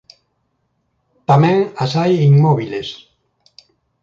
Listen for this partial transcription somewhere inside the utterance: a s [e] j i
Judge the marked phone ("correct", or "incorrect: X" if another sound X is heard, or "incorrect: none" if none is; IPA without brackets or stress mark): incorrect: a